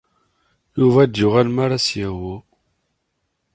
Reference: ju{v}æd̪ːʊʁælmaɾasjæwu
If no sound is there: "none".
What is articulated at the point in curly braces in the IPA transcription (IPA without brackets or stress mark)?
v